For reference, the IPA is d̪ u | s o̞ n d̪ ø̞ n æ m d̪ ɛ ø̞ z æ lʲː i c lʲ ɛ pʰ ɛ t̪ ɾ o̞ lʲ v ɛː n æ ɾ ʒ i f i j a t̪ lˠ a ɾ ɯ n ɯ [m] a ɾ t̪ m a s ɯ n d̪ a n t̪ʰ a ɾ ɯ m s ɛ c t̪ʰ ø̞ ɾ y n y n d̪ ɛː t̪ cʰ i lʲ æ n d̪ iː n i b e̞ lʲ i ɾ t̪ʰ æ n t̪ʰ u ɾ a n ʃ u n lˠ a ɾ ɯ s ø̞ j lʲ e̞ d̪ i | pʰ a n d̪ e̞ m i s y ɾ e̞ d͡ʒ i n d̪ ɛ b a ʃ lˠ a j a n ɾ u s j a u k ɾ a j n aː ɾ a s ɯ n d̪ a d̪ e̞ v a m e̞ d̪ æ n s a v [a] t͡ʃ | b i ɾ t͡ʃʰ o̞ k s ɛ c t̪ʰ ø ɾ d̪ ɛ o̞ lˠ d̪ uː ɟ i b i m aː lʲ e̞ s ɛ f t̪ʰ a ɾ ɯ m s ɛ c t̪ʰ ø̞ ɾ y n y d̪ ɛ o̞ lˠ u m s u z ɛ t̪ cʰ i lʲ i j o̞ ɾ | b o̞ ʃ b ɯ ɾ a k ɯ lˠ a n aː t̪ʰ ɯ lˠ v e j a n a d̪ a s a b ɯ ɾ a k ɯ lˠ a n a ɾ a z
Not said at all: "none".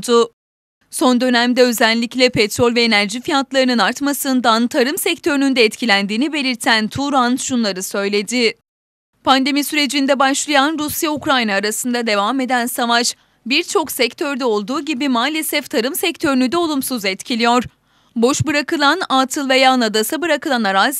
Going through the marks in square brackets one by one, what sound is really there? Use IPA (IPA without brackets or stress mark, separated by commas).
n, a